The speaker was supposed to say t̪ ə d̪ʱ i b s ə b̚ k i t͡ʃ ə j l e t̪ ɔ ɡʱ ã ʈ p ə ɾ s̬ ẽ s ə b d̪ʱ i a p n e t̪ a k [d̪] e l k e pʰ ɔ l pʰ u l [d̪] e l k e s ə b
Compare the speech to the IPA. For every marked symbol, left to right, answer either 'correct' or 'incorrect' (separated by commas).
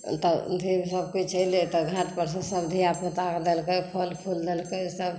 correct, correct